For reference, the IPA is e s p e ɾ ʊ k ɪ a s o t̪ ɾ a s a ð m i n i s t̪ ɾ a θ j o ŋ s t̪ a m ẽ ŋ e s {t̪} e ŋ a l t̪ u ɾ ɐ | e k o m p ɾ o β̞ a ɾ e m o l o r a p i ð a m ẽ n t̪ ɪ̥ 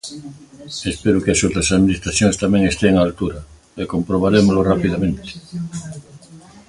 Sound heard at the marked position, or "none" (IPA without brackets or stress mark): t̪